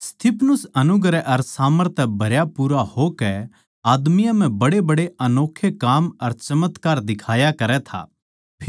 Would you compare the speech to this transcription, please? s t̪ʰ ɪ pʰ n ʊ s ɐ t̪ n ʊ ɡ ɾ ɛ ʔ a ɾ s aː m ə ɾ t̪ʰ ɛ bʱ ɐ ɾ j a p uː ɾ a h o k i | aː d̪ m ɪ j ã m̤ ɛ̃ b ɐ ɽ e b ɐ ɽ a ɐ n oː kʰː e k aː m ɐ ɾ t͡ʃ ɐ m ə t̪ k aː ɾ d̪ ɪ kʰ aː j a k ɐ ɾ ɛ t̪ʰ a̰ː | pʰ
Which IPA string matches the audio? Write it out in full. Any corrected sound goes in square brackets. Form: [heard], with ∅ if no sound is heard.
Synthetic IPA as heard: s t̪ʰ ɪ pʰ n ʊ s ɐ [∅] n ʊ ɡ ɾ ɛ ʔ [ɐ] ɾ s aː m ə ɾ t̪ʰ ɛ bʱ ɐ ɾ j a p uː ɾ a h o k [ɛ] | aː d̪ m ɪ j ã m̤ ɛ̃ b ɐ ɽ e b ɐ ɽ [e] ɐ n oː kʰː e k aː m ɐ ɾ t͡ʃ ɐ m ə t̪ k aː ɾ d̪ ɪ kʰ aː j a k ɐ ɾ ɛ t̪ʰ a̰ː | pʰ